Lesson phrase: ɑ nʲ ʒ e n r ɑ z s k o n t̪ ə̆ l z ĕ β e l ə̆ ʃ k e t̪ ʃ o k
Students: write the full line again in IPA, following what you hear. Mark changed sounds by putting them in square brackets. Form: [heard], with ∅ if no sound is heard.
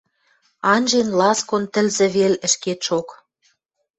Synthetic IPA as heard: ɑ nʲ ʒ e n [l] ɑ [∅] s k o n t̪ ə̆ l z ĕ β e l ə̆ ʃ k e t̪ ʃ o k